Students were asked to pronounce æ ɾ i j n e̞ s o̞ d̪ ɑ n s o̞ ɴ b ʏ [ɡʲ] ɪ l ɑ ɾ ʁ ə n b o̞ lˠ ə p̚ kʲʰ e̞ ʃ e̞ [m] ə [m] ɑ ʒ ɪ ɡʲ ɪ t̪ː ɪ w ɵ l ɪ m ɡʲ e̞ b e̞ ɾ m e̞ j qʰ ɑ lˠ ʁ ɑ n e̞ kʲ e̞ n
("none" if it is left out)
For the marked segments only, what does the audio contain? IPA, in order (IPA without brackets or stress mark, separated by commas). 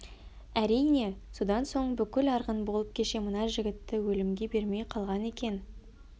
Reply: kʲ, m, n